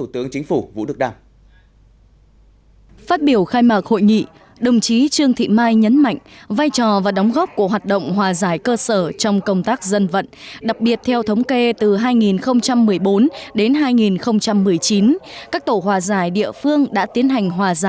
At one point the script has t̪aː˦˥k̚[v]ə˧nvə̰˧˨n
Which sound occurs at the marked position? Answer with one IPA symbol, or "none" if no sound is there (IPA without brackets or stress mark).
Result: z